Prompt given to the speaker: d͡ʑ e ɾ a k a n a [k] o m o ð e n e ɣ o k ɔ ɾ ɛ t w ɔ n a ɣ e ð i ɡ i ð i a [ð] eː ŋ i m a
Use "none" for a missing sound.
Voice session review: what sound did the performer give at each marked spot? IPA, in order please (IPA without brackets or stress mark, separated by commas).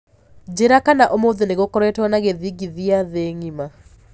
ʔ, ð